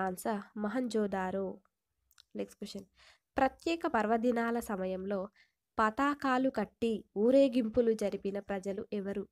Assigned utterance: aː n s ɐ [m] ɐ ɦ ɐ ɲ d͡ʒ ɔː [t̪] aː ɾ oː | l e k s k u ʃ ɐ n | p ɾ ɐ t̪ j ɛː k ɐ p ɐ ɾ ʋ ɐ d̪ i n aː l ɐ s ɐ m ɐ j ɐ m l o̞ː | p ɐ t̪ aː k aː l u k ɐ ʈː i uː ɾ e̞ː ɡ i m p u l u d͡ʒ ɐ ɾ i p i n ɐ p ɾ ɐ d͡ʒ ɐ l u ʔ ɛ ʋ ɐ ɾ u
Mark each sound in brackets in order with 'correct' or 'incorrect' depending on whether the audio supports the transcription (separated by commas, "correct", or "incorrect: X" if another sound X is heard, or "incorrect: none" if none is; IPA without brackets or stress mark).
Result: correct, incorrect: d̪